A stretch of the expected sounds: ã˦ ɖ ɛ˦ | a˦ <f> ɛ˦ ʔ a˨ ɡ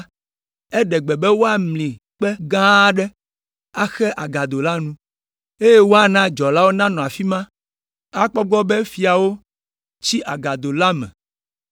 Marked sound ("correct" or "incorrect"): incorrect